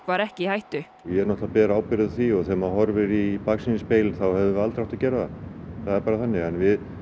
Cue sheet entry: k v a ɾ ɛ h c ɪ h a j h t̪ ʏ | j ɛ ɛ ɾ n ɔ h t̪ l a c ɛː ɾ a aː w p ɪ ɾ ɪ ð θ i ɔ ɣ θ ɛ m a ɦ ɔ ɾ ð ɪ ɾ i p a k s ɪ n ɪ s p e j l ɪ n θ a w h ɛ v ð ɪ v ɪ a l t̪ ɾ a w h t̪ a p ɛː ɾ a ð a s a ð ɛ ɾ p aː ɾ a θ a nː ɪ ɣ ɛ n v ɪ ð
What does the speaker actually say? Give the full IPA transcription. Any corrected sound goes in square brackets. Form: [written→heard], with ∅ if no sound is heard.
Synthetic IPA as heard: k v a ɾ ɛ h c ɪ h a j h t̪ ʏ | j ɛ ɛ ɾ n ɔ h t̪ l a [c→p] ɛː ɾ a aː w p ɪ ɾ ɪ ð θ i ɔ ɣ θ ɛ m a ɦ ɔ ɾ [ð→v] ɪ ɾ i p a k s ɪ n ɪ s p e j l ɪ n θ a w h ɛ v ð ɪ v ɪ a l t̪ ɾ a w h t̪ a [p→c] ɛː ɾ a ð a [s→θ] a ð ɛ ɾ p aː ɾ a θ a nː ɪ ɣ ɛ n v ɪ ð